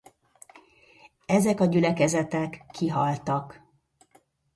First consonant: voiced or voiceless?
voiced